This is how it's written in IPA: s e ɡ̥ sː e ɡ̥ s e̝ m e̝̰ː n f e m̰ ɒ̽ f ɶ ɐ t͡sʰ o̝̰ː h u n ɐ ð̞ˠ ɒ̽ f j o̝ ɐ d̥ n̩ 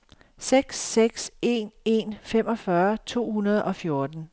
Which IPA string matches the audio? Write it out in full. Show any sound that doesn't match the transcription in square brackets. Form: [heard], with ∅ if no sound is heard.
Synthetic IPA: s e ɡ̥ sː e ɡ̥ s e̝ [n] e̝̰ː n f e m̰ ɒ̽ f ɶ ɐ t͡sʰ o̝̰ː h u n ɐ ð̞ˠ ɒ̽ f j o̝ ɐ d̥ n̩